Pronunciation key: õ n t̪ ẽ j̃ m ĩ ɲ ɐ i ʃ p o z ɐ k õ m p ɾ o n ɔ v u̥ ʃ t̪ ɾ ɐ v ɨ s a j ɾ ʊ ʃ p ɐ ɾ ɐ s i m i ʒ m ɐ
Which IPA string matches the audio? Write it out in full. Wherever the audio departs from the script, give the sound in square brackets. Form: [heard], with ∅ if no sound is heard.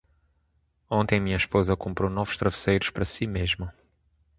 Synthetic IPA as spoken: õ n t̪ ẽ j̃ m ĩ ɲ ɐ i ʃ p o z ɐ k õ m p ɾ o n ɔ v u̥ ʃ t̪ ɾ ɐ v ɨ s [e] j ɾ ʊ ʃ p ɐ ɾ ɐ s i m [e] ʒ m ɐ

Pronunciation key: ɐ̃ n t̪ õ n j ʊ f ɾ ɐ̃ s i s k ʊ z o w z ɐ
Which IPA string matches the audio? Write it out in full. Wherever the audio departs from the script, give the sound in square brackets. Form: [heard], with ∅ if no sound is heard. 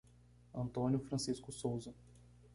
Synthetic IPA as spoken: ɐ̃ n t̪ õ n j ʊ f ɾ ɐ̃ s i s k ʊ [s] o w z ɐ

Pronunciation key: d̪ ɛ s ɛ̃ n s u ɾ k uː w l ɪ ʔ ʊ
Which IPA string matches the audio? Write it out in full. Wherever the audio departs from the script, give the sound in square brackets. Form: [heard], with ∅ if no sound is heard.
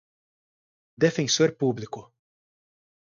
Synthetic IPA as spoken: d̪ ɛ [f] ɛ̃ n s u ɾ [p] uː [b] l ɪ [k] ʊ

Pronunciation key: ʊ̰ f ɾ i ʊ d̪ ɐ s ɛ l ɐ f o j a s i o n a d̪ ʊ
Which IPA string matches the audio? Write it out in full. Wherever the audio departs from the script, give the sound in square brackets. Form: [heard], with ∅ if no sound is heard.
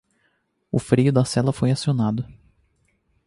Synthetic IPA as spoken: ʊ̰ f ɾ i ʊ d̪ ɐ s ɛ l ɐ f o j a s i o n a d̪ ʊ

